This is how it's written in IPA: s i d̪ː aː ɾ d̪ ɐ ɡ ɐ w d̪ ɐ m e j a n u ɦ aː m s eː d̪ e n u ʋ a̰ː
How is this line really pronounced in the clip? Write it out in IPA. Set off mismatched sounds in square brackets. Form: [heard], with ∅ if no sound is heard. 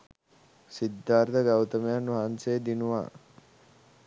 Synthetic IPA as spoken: s i d̪ː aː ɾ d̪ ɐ ɡ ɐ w [t̪] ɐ m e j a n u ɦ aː [n] s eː d̪ [i] n u ʋ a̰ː